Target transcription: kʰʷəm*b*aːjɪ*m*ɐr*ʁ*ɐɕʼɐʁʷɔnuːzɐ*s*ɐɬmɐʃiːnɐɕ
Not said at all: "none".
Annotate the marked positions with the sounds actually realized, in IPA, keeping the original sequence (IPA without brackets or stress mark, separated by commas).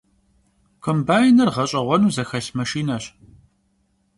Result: b, n, ʁ, x